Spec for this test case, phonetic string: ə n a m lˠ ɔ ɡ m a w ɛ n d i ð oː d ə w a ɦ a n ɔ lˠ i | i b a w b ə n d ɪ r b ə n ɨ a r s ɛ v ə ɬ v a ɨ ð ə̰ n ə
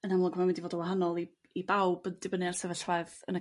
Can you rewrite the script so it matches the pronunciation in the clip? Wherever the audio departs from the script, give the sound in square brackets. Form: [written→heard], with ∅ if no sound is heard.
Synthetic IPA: ə n a m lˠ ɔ ɡ m a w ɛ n d i [ð→v] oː d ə w a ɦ a n ɔ lˠ i | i b a w b ə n d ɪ [r→∅] b ə n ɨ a r s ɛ v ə ɬ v a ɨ ð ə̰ n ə